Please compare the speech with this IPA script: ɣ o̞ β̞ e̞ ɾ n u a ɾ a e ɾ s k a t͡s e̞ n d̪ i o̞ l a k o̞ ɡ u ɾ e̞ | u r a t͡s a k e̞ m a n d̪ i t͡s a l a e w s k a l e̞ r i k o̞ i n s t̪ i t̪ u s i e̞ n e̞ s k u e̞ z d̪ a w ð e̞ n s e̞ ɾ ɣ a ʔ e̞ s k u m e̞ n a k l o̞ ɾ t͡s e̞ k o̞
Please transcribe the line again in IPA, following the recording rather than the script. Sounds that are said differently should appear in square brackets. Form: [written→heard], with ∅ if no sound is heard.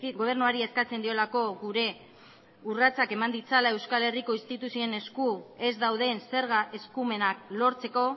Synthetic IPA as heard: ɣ o̞ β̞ e̞ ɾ n u a ɾ [a→i] e [ɾ→∅] s k a t͡s e̞ n d̪ i o̞ l a k o̞ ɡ u ɾ e̞ | u r a t͡s a k e̞ m a n d̪ i t͡s a l a e w s k a l e̞ r i k o̞ i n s t̪ i t̪ u s i e̞ n e̞ s k u e̞ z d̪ a w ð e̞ n s e̞ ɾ ɣ a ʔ e̞ s k u m e̞ n a k l o̞ ɾ t͡s e̞ k o̞